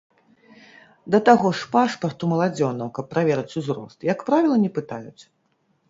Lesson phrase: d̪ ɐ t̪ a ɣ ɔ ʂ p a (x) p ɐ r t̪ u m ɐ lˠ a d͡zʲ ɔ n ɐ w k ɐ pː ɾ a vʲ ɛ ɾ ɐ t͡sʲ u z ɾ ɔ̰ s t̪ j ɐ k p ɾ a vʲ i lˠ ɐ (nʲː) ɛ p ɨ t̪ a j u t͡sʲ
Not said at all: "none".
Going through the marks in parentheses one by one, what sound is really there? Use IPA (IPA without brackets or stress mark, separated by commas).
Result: ʂ, nʲ